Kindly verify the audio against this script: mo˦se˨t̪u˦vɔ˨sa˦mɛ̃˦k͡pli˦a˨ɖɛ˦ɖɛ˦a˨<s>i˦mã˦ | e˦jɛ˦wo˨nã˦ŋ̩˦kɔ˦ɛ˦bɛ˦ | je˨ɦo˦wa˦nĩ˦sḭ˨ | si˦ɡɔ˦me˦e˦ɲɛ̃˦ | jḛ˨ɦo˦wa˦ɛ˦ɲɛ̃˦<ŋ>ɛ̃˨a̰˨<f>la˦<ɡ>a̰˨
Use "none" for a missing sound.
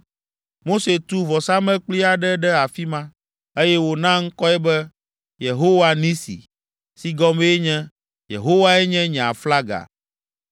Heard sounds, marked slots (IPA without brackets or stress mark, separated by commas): f, ɲ, f, ɡ